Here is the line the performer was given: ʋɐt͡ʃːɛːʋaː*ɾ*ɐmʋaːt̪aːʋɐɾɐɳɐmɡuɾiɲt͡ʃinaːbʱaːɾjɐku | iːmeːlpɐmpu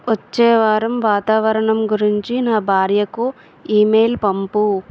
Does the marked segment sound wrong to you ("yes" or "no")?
no